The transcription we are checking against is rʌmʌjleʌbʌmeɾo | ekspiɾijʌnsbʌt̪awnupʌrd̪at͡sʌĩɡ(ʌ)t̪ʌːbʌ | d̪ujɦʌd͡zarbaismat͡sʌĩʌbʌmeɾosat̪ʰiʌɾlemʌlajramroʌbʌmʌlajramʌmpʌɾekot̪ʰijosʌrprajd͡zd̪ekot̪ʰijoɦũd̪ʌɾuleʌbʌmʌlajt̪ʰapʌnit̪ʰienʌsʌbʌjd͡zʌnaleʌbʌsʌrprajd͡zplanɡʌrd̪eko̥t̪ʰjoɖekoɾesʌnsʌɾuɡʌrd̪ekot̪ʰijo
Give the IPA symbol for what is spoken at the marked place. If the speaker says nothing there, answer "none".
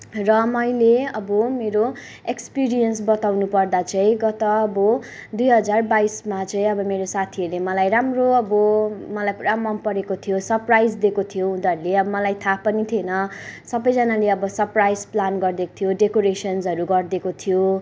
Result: ʌ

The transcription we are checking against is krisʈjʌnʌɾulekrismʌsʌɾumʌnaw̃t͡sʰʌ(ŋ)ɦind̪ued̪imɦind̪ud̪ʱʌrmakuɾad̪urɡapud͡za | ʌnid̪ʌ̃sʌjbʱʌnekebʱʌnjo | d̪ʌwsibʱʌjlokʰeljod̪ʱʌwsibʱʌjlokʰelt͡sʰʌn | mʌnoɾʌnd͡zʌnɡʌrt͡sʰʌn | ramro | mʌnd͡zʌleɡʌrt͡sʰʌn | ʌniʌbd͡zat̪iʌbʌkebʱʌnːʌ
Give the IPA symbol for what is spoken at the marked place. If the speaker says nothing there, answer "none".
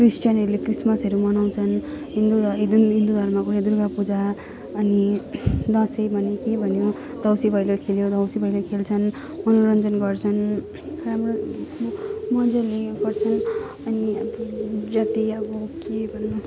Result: n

